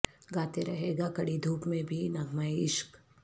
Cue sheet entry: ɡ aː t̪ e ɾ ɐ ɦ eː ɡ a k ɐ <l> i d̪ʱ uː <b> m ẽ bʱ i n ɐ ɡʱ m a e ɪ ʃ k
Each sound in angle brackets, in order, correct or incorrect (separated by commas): incorrect, incorrect